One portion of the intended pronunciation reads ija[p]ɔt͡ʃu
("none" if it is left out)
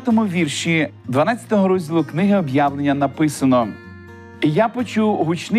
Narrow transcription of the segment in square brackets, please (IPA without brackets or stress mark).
p